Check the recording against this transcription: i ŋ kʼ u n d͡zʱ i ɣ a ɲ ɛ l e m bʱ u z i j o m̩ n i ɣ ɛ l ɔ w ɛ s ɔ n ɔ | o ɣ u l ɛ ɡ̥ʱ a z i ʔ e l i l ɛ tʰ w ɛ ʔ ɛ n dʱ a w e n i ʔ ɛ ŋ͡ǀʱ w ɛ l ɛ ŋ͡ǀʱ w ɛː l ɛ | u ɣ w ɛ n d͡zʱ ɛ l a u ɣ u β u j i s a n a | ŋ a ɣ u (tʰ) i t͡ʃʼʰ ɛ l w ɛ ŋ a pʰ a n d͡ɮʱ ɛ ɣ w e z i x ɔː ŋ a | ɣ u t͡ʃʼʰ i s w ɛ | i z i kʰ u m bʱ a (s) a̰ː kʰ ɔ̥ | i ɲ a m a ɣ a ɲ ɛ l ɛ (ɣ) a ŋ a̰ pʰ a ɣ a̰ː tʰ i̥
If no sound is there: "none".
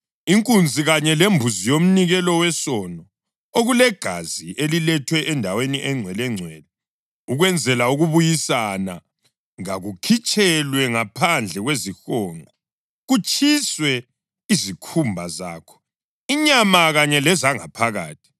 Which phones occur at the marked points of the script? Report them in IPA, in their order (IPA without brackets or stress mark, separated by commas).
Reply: kʰ, z, z